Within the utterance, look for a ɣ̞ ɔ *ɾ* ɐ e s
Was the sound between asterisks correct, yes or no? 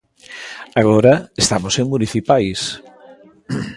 yes